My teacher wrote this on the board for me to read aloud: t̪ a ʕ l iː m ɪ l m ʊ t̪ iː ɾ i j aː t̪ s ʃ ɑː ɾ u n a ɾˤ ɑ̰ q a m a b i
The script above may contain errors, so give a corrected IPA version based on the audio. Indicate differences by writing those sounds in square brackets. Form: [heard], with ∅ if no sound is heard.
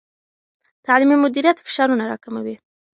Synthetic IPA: t̪ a ʕ l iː m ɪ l m ʊ [d̪] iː ɾ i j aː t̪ [f] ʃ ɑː ɾ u n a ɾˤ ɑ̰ [k] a m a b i